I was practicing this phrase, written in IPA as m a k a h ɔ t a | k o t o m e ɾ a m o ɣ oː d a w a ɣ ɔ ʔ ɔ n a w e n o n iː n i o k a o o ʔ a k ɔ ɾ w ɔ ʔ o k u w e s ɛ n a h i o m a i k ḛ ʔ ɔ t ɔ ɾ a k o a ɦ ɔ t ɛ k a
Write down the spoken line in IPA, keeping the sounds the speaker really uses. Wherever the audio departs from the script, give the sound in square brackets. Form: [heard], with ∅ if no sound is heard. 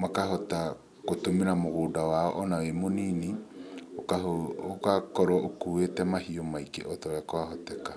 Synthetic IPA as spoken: m a k a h ɔ t a | k o t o m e ɾ a m o ɣ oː d a w a [∅] ɔ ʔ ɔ n a w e [m] o n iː n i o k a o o [k] a k ɔ ɾ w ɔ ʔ o k u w e [t] ɛ [m] a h i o m a i k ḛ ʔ ɔ t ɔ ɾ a k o a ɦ ɔ t ɛ k a